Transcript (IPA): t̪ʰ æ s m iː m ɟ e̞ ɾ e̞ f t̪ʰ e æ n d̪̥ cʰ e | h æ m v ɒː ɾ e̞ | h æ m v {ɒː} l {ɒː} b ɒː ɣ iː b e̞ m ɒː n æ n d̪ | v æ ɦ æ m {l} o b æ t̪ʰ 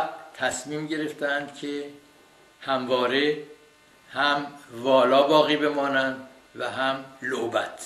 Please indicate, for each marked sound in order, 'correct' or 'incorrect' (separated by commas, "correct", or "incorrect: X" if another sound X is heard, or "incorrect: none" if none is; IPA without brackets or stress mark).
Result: correct, correct, correct